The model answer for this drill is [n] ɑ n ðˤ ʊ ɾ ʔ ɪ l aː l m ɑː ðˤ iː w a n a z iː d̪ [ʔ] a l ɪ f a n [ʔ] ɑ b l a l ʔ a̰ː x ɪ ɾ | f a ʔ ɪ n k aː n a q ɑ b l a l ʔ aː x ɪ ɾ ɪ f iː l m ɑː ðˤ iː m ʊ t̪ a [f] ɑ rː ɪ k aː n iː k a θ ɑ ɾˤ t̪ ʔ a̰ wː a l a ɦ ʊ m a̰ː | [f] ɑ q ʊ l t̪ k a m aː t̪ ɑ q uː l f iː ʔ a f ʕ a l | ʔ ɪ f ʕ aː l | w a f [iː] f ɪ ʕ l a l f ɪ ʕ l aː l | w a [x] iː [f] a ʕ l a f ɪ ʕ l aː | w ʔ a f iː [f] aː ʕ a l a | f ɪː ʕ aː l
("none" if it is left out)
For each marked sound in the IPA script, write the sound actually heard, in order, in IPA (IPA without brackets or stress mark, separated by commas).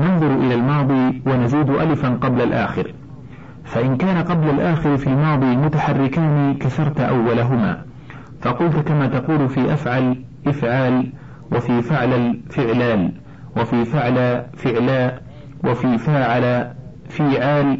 n, ʔ, q, ħ, f, iː, f, f, f